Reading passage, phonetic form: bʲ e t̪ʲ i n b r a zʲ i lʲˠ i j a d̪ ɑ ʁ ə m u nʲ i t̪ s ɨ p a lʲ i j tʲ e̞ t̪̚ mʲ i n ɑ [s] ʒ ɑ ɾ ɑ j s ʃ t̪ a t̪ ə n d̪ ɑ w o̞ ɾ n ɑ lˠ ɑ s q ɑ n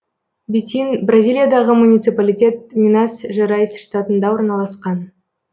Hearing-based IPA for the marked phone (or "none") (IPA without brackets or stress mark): s